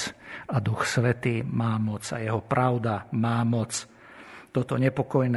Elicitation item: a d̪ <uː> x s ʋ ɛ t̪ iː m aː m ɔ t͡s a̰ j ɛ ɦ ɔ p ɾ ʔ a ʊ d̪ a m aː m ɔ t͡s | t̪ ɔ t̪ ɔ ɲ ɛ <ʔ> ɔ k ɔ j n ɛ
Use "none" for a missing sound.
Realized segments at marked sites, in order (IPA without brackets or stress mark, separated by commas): u, p